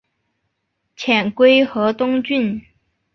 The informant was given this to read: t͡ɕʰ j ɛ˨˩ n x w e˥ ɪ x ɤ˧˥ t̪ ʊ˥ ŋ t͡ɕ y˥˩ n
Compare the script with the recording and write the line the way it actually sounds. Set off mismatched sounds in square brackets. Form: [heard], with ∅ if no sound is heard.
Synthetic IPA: t͡ɕʰ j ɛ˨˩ n [k] w e˥ ɪ x ɤ˧˥ t̪ ʊ˥ ŋ t͡ɕ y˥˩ n